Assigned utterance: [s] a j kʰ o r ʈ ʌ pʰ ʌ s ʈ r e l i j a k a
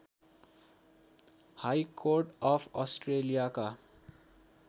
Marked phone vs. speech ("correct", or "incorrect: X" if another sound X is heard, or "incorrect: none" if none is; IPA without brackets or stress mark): incorrect: h